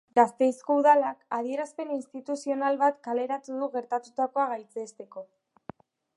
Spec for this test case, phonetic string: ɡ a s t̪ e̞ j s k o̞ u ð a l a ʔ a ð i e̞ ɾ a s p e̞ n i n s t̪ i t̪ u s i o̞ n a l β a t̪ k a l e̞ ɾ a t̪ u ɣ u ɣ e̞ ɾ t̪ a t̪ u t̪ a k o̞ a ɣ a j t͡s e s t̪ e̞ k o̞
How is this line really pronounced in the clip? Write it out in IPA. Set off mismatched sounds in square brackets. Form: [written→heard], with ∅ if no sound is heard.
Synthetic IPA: ɡ a s t̪ e̞ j s k o̞ u ð a l a [ʔ→k] a ð i e̞ ɾ a s p e̞ n i n s t̪ i t̪ u s i o̞ n a l β a t̪ k a l e̞ ɾ a t̪ u [ɣ→ð] u ɣ e̞ ɾ t̪ a t̪ u t̪ a k o̞ a ɣ a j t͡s e s t̪ e̞ k o̞